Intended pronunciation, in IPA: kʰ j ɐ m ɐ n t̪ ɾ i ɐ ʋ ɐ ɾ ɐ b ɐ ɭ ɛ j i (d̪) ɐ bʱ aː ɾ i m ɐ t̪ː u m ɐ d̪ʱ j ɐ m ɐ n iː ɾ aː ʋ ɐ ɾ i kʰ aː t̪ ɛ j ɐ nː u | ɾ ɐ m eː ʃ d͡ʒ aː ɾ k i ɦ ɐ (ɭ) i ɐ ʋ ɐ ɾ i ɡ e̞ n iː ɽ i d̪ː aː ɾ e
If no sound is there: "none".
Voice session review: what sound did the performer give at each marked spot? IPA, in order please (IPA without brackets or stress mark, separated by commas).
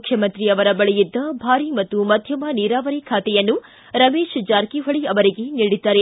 d̪ː, ɭ